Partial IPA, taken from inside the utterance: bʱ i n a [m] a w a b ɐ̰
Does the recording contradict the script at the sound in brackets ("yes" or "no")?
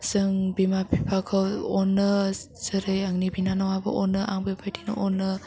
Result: yes